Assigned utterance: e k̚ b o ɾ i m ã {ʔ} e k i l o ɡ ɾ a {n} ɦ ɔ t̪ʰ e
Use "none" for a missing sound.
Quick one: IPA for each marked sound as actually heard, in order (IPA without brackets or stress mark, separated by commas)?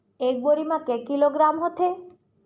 k, m